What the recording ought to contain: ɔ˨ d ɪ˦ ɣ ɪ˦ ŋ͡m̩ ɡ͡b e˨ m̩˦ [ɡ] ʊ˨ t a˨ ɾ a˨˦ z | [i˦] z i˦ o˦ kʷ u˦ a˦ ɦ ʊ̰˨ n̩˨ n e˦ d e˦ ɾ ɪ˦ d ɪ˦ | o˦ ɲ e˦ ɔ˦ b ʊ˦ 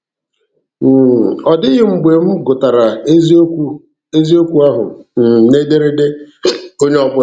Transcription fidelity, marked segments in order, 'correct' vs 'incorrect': correct, incorrect: e˦

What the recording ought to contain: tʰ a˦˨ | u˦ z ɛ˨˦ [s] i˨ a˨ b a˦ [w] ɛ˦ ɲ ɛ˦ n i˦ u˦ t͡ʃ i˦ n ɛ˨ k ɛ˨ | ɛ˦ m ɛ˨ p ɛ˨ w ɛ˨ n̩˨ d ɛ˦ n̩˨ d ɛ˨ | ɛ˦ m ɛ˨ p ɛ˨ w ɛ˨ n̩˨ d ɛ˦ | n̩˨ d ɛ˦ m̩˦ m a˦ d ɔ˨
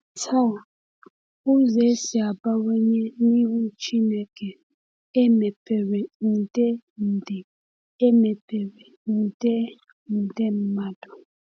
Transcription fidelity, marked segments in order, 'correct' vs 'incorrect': correct, correct

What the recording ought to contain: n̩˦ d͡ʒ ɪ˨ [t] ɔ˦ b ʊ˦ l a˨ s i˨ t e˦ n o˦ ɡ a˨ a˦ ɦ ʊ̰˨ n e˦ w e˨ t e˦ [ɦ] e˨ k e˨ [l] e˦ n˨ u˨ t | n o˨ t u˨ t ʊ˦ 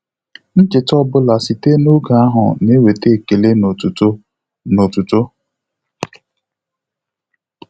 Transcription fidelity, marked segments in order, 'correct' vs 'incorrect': correct, incorrect: none, correct

